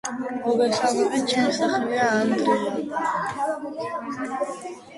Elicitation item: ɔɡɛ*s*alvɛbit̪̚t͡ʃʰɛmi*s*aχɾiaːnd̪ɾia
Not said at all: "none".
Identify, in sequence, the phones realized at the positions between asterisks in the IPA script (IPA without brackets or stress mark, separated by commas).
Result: s, s